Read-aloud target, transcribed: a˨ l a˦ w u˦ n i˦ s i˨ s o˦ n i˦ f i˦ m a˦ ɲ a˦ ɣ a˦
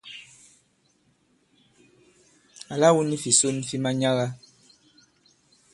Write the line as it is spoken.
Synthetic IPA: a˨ l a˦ w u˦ n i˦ f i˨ s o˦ n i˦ f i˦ m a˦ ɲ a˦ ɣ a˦